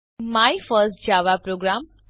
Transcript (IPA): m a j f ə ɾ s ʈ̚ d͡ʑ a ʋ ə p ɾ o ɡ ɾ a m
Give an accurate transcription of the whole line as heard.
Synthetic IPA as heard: m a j f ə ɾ s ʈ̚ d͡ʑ a ʋ a p ɾ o ɡ ɾ a m